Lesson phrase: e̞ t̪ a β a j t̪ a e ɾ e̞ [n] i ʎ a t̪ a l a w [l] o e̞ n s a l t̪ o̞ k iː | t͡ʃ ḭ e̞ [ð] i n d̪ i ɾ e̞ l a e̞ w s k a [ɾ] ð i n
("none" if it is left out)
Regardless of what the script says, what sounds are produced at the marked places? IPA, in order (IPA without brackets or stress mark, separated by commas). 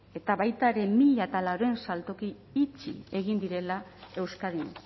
m, ɾ, ɣ, none